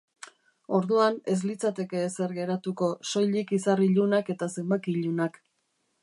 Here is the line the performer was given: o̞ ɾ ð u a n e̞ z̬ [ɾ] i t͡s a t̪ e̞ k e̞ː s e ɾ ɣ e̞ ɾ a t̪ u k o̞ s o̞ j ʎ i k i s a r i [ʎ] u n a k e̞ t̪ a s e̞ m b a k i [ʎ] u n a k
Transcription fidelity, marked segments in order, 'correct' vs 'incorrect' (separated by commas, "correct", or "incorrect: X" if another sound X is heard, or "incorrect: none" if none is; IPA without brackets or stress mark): incorrect: l, correct, correct